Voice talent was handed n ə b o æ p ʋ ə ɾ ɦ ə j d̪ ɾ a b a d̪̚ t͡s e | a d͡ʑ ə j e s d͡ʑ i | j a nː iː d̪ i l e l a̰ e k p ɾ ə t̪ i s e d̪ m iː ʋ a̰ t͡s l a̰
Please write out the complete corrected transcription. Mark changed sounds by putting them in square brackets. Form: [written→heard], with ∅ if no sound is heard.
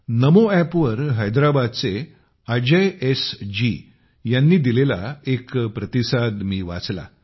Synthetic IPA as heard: n ə [b→m] o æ p ʋ ə ɾ ɦ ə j d̪ ɾ a b a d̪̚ t͡s e | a d͡ʑ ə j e s d͡ʑ i | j a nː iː d̪ i l e l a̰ e k p ɾ ə t̪ i s [e→a] d̪ m iː ʋ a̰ t͡s l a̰